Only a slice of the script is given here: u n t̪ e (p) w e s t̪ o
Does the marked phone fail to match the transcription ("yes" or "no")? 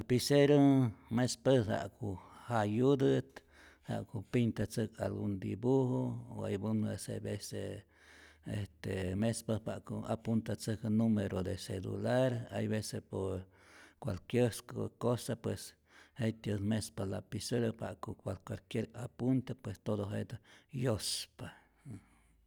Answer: no